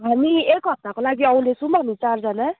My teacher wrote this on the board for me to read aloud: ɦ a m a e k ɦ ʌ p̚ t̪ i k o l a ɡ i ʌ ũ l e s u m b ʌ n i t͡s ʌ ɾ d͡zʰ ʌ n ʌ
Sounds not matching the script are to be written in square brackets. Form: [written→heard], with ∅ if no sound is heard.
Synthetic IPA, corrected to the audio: ɦ a m [a→i] e k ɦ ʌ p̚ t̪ [i→a] k o l a ɡ i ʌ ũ l e s u m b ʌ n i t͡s [ʌ→a] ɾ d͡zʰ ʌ n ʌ